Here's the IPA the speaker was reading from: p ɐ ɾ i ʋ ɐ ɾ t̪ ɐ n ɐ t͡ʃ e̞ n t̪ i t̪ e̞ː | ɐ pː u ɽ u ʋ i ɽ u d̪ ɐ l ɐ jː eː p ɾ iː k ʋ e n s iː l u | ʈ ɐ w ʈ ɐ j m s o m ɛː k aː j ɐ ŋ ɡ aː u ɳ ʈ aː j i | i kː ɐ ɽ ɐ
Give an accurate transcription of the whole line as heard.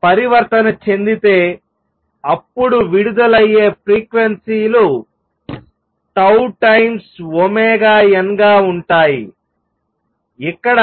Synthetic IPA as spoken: p ɐ ɾ i ʋ ɐ ɾ t̪ ɐ n ɐ t͡ʃ e̞ n d̪ i t̪ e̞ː | ɐ pː u ɽ u ʋ i ɽ u d̪ ɐ l ɐ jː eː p ɾ iː k ʋ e n s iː l u | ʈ ɐ w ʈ ɐ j m s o m ɛː ɡ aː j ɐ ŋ ɡ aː u ɳ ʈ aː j i | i kː ɐ ɽ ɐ